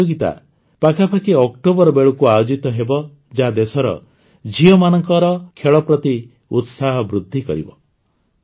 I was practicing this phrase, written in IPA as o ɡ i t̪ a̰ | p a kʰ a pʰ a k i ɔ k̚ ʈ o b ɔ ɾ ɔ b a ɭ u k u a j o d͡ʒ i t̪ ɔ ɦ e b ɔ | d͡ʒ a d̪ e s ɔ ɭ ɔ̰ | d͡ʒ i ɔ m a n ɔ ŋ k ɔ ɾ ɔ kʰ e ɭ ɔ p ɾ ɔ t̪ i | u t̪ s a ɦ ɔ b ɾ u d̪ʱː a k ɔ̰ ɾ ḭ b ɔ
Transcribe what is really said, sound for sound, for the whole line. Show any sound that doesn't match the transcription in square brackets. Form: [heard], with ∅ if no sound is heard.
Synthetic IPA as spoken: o ɡ i t̪ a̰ | p a kʰ a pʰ a k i ɔ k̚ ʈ o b ɔ ɾ ɔ b [e] ɭ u k u a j o d͡ʒ i t̪ ɔ ɦ e b ɔ | d͡ʒ a d̪ e s ɔ [ɾ] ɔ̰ | d͡ʒ i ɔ m a n ɔ ŋ k ɔ ɾ ɔ kʰ e ɭ ɔ p ɾ ɔ t̪ i | u t̪ s a ɦ ɔ b ɾ u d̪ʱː [i] k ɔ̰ ɾ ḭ b ɔ